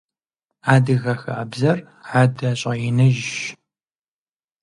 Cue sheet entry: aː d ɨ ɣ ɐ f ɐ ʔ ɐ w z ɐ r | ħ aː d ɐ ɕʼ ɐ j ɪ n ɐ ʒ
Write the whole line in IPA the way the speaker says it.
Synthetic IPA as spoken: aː d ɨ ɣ ɐ x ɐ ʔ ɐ b z ɐ r | ħ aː d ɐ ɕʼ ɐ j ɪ n ɐ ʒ